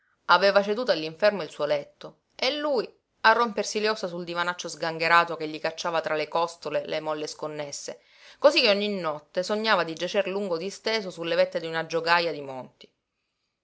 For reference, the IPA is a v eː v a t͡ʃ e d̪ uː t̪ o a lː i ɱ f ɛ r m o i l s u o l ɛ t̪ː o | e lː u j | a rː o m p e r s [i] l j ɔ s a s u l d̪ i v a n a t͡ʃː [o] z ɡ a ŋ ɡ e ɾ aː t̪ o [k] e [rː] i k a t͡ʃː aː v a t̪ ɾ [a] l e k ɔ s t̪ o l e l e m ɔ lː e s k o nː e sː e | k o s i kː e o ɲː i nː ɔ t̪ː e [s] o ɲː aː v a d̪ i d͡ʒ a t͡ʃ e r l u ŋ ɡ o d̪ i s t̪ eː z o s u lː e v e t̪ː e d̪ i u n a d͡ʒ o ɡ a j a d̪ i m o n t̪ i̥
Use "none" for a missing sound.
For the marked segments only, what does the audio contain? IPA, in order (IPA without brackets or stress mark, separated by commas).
i, o, k, ʎː, a, s